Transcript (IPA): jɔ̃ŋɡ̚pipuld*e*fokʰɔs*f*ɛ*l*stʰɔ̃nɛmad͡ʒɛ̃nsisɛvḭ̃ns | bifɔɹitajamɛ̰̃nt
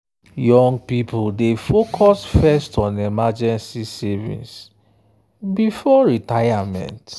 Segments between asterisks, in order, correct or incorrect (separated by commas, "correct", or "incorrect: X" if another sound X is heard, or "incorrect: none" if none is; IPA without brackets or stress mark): correct, correct, incorrect: none